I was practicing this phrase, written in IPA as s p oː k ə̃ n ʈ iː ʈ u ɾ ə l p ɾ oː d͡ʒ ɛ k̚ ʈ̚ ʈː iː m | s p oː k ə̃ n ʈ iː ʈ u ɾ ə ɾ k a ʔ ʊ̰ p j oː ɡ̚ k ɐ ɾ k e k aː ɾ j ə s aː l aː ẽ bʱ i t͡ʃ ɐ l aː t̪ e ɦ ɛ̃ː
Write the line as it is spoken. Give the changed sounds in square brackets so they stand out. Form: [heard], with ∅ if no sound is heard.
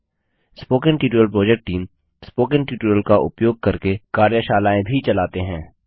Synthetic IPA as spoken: s p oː k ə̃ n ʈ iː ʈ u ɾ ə l p ɾ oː d͡ʒ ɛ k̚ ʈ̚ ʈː iː m | s p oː k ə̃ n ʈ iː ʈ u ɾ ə [l] k a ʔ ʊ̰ p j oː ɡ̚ k ɐ ɾ k e k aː ɾ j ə [ʃ] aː l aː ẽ bʱ i t͡ʃ ɐ l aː t̪ e ɦ ɛ̃ː